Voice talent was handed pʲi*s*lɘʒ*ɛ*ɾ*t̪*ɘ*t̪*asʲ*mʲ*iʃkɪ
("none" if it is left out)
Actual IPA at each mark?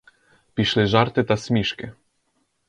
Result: ʃ, a, t̪, t̪, mʲ

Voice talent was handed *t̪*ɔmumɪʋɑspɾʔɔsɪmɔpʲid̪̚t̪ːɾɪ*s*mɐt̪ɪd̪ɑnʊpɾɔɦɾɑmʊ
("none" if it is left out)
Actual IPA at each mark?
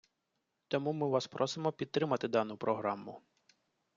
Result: t̪, none

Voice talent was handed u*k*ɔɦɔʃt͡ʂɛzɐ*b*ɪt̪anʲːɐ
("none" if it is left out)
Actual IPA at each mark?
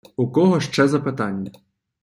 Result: k, p

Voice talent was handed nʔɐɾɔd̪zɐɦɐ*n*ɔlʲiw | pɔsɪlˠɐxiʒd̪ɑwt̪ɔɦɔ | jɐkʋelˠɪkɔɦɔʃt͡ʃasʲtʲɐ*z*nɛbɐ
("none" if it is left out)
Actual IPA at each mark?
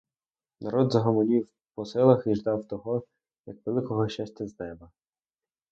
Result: m, z

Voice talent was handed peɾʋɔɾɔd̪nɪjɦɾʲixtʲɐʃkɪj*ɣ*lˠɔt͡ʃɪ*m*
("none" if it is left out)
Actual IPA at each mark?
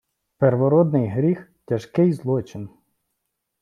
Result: z, n

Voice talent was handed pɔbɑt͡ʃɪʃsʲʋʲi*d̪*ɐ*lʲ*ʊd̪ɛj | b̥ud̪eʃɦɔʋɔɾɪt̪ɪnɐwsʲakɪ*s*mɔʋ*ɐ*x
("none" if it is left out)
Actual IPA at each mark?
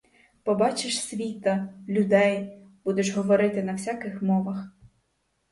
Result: t̪, lʲ, x, ɐ

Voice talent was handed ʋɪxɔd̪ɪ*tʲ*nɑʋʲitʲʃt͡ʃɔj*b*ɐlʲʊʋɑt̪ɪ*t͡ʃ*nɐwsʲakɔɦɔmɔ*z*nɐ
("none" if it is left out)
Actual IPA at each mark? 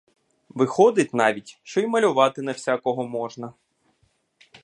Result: tʲ, m, none, ʒ

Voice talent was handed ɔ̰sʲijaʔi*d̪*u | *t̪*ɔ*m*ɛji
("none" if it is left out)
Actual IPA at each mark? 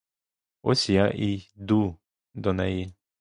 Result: d̪, d̪, n

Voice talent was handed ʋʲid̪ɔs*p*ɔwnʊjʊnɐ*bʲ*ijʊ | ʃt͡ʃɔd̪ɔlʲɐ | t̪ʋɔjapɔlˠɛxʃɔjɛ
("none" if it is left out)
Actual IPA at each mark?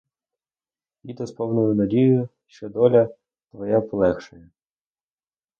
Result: p, dʲ

